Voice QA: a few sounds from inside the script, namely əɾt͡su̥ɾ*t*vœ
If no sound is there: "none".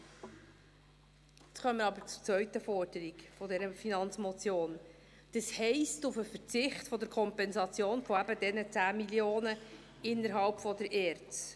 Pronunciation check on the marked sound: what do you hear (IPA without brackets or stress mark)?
t͡s